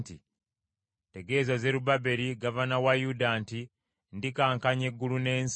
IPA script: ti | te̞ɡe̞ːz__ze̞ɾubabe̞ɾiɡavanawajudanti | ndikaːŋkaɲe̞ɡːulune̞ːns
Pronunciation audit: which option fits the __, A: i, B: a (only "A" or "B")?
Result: B